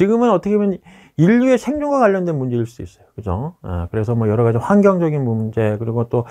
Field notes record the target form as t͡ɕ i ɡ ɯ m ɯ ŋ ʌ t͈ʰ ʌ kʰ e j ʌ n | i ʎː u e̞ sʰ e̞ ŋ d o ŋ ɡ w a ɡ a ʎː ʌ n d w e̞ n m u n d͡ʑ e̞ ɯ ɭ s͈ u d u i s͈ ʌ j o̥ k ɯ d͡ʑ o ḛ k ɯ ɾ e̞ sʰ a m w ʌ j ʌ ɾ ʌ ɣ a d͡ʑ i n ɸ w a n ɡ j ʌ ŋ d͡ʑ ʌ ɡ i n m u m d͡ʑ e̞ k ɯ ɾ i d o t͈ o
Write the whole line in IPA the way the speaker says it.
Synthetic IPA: t͡ɕ i ɡ ɯ m ɯ n ʌ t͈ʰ ʌ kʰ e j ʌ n | i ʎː u e̞ sʰ e̞ ŋ d͡ʑ o ŋ ɡ w a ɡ a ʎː ʌ n d w e̞ n m u n d͡ʑ e̞ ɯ ɭ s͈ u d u i s͈ ʌ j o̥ k ɯ d͡ʑ o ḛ k ɯ ɾ e̞ sʰ ʌ m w ʌ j ʌ ɾ ʌ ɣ a d͡ʑ i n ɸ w a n ɡ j ʌ ŋ d͡ʑ ʌ ɡ i n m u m d͡ʑ e̞ k ɯ ɾ i ɡ o t͈ o